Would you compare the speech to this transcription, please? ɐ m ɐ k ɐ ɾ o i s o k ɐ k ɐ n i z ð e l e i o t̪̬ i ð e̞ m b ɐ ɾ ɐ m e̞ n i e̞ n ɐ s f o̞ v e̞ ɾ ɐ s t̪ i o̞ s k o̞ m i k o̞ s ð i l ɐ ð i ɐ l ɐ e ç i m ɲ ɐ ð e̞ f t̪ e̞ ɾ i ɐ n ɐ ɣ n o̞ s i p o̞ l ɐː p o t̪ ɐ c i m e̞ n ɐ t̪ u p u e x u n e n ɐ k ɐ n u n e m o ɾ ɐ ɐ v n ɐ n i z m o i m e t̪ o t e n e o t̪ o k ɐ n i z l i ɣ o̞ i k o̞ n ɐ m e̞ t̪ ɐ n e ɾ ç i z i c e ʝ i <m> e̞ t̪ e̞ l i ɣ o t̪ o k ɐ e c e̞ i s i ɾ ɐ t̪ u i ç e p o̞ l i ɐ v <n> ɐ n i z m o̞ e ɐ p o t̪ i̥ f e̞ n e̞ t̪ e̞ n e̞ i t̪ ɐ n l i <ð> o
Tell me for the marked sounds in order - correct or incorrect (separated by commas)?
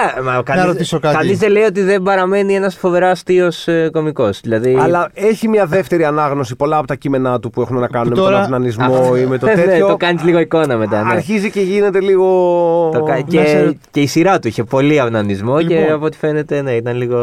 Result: incorrect, correct, incorrect